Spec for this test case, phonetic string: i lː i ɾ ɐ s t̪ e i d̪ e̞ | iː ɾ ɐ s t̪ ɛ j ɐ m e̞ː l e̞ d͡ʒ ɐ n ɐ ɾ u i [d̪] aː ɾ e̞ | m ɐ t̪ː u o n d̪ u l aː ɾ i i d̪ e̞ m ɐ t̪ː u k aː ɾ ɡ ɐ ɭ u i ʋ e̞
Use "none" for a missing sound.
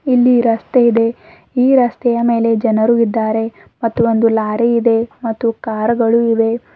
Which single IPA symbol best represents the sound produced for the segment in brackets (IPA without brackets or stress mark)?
d̪ː